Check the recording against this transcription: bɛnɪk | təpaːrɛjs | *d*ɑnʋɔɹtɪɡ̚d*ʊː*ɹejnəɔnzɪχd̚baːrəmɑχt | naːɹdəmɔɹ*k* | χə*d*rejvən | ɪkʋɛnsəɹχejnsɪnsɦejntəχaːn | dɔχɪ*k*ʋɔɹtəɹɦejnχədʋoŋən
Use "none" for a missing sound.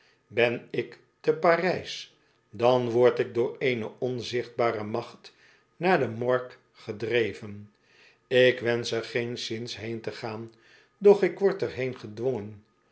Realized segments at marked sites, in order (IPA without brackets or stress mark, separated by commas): d, ʊː, k, d, k